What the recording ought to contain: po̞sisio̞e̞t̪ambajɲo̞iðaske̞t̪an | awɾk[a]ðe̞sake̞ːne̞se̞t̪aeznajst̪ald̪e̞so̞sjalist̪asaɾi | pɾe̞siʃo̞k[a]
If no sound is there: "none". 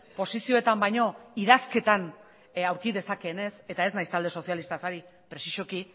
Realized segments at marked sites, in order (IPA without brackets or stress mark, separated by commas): i, i